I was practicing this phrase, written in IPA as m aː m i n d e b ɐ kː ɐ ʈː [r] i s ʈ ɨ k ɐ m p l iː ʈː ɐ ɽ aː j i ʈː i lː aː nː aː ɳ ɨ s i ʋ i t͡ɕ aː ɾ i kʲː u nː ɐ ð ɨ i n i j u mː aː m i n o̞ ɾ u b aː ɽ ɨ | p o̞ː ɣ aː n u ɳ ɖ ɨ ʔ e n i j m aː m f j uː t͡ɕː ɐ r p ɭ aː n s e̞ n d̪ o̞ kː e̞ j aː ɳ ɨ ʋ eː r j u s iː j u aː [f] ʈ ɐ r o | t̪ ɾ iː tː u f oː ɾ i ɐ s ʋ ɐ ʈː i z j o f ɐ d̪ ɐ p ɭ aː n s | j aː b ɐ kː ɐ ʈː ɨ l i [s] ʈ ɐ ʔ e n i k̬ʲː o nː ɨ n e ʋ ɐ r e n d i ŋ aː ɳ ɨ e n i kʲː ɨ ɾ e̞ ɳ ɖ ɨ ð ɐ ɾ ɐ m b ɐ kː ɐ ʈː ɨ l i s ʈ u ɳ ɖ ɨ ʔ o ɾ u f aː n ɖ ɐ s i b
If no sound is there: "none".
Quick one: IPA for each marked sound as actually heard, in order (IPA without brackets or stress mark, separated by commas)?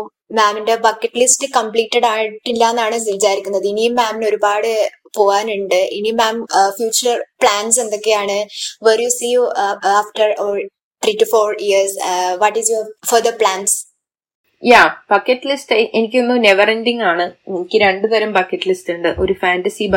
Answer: l, f, s